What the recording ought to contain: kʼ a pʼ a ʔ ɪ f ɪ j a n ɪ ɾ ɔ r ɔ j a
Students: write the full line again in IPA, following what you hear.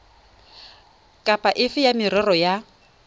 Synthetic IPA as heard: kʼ a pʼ a ʔ ɪ f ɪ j a m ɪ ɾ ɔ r ɔ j a

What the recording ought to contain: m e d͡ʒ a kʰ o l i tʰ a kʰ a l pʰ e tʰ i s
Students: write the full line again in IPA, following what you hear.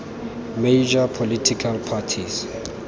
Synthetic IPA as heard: m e d͡ʒ a pʰ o l i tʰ i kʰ a l pʰ a tʰ i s

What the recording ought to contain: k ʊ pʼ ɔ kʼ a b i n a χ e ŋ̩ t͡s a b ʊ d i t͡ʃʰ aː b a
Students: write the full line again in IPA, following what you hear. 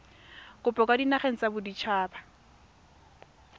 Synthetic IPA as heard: k ʊ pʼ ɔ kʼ a d i n a χ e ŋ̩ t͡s a b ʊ d i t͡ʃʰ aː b a

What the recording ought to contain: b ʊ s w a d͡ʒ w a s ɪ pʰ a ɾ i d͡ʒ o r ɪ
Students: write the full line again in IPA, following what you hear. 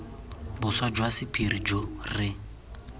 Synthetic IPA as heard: b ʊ s w a d͡ʒ w a s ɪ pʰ i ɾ i d͡ʒ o r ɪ

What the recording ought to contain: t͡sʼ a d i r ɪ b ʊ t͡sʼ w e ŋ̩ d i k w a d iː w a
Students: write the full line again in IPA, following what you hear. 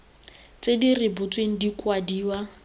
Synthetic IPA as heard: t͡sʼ e d i r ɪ b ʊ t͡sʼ w e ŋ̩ d i k w a d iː w a

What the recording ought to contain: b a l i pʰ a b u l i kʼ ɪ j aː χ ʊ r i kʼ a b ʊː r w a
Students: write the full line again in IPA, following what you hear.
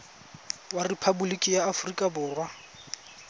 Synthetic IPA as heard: w a r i pʰ a b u l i kʼ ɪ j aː f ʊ r i kʼ a b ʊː r w a

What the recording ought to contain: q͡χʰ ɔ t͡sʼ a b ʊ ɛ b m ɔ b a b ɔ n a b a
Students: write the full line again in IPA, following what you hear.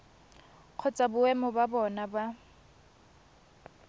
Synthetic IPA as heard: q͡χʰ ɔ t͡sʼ a b ʊ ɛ m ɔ b a b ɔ n a b a

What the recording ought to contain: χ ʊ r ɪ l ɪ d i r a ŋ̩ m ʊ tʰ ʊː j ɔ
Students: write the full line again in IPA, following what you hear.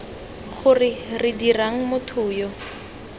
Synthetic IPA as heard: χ ʊ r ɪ r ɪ d i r a ŋ̩ m ʊ tʰ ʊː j ɔ

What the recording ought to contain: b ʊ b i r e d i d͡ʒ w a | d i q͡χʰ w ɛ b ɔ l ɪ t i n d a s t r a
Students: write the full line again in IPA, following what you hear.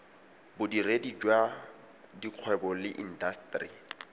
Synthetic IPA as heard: b ʊ d i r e d i d͡ʒ w a | d i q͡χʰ w ɛ b ɔ l ɪ ʔ i n d a s t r i

